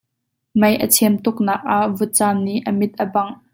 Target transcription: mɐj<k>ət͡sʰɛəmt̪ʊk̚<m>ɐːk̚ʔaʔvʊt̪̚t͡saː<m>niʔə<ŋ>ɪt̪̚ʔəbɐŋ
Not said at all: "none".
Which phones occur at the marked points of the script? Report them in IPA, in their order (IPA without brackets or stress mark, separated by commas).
ʔ, n, m, m